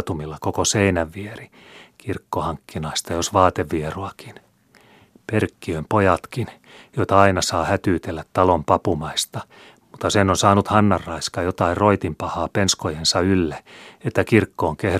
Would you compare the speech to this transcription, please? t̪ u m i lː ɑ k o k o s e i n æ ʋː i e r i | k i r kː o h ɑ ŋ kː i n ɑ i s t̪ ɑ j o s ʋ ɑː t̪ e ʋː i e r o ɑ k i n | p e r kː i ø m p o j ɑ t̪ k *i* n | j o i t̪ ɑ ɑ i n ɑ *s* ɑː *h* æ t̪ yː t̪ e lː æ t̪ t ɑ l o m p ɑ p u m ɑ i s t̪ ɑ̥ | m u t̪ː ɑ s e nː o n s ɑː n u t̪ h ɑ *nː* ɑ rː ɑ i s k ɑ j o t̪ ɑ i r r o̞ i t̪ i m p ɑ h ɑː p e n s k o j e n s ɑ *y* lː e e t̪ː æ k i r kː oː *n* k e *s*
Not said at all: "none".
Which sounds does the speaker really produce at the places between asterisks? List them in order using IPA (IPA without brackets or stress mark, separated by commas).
i, s, h, nː, y, ŋ, h